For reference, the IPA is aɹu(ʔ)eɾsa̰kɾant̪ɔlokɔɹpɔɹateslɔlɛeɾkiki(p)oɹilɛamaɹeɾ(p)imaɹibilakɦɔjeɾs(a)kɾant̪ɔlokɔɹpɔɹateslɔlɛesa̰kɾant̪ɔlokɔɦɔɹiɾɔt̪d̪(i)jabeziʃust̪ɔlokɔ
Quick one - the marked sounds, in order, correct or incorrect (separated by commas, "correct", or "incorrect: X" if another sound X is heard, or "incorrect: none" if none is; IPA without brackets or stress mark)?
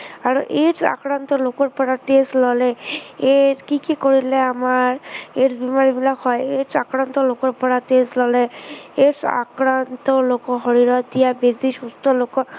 correct, incorrect: k, incorrect: b, correct, correct